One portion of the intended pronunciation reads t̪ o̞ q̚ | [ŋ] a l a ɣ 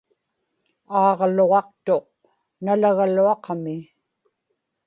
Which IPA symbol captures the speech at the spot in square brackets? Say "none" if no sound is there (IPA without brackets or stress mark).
n